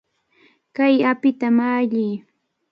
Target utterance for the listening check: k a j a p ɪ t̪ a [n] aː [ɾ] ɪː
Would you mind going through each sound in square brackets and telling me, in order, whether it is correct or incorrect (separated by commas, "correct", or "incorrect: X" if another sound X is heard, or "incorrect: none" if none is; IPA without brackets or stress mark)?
incorrect: m, incorrect: ʎ